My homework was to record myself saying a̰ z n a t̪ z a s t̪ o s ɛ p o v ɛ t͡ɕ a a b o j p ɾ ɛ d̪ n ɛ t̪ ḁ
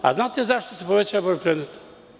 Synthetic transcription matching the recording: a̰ z n a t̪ z a ʃ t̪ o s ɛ p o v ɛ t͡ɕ a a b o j p ɾ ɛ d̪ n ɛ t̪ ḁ